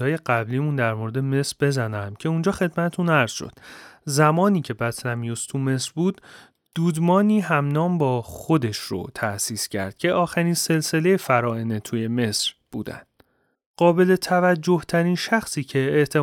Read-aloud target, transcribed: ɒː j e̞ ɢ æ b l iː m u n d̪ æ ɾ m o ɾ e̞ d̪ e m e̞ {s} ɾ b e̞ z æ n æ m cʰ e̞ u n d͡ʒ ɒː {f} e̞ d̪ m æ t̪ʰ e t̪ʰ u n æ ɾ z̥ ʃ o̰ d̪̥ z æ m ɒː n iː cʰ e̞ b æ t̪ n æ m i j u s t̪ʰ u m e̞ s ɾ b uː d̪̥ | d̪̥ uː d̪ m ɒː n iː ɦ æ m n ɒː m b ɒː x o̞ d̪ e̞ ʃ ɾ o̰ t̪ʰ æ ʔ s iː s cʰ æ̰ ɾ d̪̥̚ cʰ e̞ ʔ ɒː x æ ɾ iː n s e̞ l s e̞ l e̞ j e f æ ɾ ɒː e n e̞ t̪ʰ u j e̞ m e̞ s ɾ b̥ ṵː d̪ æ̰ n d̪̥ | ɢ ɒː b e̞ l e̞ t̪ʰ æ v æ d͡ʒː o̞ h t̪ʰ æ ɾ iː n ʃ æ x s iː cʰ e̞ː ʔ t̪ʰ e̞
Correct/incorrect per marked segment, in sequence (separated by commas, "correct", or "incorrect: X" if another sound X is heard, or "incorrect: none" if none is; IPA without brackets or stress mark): correct, incorrect: x